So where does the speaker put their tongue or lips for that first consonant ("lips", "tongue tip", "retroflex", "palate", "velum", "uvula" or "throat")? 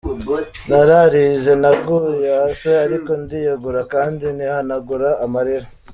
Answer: tongue tip